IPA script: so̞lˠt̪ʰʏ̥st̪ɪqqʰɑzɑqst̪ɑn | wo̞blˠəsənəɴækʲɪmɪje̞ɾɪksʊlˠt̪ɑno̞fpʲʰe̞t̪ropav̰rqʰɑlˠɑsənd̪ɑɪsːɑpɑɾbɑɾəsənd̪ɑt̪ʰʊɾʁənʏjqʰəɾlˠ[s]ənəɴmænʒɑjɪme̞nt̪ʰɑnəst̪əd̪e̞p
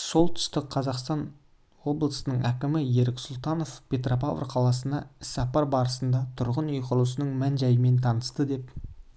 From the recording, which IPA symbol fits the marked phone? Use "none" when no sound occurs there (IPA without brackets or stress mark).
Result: s